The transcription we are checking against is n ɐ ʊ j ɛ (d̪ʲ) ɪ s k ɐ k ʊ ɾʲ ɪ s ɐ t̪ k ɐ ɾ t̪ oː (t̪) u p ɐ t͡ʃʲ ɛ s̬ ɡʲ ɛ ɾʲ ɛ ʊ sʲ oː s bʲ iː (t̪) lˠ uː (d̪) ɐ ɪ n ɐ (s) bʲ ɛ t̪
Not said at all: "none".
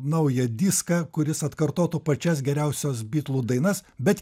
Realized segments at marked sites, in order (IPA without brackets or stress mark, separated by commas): d̪ʲ, t̪, t̪, d̪, s